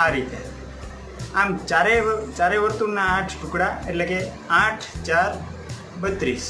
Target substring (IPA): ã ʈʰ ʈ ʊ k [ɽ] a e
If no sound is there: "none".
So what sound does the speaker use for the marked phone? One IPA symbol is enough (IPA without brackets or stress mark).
ɽ